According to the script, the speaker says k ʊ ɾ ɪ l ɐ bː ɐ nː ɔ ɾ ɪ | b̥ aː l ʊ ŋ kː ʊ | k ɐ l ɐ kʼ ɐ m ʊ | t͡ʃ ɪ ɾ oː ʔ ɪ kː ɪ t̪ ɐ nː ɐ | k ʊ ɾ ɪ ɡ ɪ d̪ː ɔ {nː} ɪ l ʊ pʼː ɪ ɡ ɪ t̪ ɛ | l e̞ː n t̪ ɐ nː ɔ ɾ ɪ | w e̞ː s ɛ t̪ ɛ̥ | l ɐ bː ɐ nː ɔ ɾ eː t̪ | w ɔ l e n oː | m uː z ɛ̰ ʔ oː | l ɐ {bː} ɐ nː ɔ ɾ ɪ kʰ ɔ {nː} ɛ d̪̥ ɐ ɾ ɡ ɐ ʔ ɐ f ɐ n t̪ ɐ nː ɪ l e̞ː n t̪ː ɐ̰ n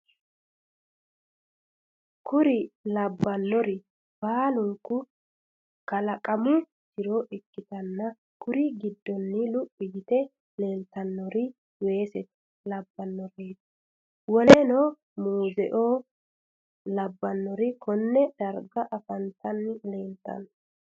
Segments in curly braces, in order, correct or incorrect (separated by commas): correct, correct, correct